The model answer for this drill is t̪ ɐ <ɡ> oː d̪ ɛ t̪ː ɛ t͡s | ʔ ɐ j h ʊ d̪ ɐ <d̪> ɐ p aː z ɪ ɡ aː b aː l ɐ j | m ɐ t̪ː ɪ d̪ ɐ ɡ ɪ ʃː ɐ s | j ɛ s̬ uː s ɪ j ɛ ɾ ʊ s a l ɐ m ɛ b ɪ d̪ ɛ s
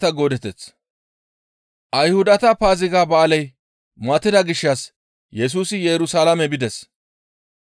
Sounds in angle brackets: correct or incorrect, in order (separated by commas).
correct, incorrect